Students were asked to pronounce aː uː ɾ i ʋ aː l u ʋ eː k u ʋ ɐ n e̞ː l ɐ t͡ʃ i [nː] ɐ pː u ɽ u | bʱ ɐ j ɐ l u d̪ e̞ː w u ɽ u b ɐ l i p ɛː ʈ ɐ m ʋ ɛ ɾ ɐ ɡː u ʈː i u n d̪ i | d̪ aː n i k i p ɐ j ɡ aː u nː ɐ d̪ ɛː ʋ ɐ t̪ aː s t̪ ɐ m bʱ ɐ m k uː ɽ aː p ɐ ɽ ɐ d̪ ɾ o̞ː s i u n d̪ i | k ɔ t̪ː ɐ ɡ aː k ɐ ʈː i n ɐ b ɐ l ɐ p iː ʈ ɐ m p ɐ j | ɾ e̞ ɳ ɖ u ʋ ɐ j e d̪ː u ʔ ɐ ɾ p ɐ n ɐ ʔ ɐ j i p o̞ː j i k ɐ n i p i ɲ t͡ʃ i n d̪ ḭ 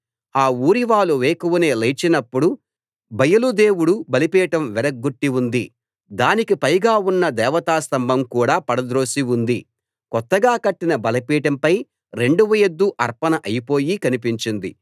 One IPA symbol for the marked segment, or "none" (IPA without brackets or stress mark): n